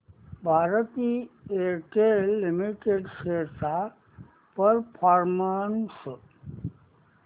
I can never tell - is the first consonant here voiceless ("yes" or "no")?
no